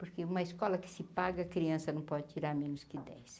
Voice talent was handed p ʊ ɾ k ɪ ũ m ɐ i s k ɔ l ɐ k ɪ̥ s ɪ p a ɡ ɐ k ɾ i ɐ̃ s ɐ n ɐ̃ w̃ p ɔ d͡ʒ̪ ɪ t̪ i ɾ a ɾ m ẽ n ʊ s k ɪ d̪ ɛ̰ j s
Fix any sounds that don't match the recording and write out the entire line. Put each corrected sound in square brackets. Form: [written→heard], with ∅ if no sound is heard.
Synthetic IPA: p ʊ ɾ k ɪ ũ m ɐ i s k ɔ l ɐ k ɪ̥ s ɪ p a ɡ ɐ k ɾ i ɐ̃ s ɐ n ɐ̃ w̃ p ɔ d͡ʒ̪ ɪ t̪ i ɾ a ɾ m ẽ n ʊ s k ɪ d̪ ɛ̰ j s

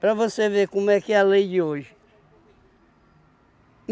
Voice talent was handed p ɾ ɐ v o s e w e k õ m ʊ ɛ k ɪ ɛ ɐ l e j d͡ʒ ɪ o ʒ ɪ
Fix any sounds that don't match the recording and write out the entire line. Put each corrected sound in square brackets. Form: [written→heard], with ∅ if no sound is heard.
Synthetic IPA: p ɾ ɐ v o s e [w→v] e k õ m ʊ ɛ k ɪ ɛ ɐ l e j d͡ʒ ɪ o ʒ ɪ

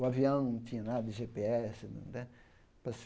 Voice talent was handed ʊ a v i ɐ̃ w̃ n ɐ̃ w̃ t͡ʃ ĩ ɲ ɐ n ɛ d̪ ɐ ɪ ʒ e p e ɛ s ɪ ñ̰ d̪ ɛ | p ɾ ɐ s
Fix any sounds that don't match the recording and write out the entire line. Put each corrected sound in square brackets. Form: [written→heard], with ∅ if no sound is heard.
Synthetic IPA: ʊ a v i ɐ̃ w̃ n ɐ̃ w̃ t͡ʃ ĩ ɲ ɐ n [ɛ→a] d̪ ɐ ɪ ʒ e p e ɛ s ɪ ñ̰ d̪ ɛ | p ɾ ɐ s

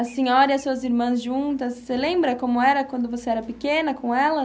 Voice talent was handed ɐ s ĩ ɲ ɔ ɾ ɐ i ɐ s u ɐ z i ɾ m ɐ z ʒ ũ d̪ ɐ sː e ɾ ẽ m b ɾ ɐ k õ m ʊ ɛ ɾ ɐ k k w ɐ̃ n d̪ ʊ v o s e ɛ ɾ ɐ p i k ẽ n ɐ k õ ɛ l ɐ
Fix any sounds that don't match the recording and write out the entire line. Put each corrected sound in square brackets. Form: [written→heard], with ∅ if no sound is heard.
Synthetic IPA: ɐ s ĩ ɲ ɔ ɾ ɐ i ɐ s u ɐ z i ɾ m [ɐ→ɐ̃] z ʒ ũ [d̪→t̪] ɐ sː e [ɾ→l] ẽ m b ɾ ɐ k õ m ʊ ɛ ɾ ɐ k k w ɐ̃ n d̪ ʊ v o s e ɛ ɾ ɐ p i k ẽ n ɐ k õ ɛ l ɐ

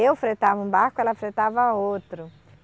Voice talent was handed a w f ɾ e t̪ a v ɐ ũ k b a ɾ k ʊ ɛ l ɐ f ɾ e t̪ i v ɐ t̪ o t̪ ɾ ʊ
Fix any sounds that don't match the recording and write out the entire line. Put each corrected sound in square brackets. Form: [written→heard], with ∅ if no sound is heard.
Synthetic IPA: [a→e] w f ɾ e t̪ a v ɐ ũ [k→∅] b a ɾ k ʊ ɛ l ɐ f ɾ e t̪ [i→a] v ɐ [t̪→∅] o t̪ ɾ ʊ

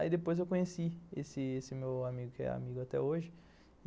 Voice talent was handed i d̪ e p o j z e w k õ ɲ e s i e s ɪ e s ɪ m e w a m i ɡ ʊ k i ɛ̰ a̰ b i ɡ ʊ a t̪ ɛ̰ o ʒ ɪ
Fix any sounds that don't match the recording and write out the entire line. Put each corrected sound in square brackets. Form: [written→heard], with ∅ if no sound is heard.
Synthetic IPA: i d̪ e p o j z e w k õ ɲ e s i e s ɪ e s ɪ m e w a m i ɡ ʊ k [i→ɪ] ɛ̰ a̰ [b→m] i ɡ ʊ a t̪ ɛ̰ o ʒ ɪ

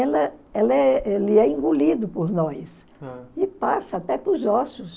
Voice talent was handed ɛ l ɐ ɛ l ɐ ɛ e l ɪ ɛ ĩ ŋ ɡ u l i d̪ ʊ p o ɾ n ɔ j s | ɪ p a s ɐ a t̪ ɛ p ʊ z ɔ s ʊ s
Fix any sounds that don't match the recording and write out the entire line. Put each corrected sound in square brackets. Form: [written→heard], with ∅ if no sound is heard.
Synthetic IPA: ɛ l ɐ ɛ l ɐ ɛ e l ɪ ɛ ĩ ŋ ɡ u l i d̪ ʊ p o ɾ n ɔ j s | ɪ p a s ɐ a t̪ ɛ p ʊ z ɔ s ʊ s

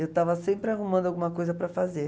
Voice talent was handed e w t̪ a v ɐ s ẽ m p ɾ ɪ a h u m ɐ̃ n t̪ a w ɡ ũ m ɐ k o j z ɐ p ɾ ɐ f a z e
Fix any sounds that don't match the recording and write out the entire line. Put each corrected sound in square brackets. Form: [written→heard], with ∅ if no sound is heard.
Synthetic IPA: e w t̪ a v ɐ s ẽ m p ɾ ɪ a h u m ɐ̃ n [t̪→d̪] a w ɡ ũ m ɐ k o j z ɐ p ɾ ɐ f a z e

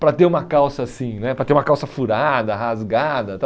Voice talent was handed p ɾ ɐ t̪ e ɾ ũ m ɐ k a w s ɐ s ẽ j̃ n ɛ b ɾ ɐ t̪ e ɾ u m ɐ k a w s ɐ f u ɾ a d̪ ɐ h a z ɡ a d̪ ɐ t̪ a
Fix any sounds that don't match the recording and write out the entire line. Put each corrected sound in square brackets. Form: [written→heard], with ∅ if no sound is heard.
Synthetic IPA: p ɾ ɐ t̪ e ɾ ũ m ɐ k a w s ɐ s [ẽ→ĩ] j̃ n ɛ [b→p] ɾ ɐ t̪ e ɾ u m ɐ k a w s ɐ f u ɾ a d̪ ɐ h a z ɡ a d̪ ɐ t̪ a

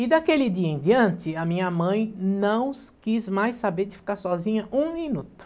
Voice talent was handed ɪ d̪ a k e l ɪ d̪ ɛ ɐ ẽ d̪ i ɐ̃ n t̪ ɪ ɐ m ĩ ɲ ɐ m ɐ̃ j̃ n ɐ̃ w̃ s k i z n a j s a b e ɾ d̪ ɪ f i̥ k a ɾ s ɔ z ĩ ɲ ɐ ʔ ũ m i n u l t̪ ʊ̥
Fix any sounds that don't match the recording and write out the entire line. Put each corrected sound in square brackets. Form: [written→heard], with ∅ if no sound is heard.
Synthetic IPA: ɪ d̪ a k e l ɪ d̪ [ɛ→i] ɐ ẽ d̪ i ɐ̃ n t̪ ɪ ɐ m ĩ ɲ ɐ m ɐ̃ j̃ n ɐ̃ w̃ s k i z [n→m] a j s a b e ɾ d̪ ɪ f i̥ k a ɾ s ɔ z ĩ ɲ ɐ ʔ ũ m i n u [l→∅] t̪ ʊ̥

